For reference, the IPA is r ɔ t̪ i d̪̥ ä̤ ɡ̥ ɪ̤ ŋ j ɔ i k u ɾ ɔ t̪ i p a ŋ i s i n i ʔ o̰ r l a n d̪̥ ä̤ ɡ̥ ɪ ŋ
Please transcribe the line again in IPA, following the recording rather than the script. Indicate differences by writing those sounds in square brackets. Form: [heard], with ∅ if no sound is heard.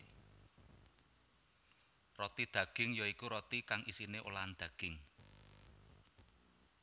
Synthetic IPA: r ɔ t̪ i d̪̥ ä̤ ɡ̥ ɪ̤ ŋ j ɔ i k u ɾ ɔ t̪ i [k] a ŋ i s i n [e] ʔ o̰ [∅] l a n d̪̥ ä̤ ɡ̥ ɪ ŋ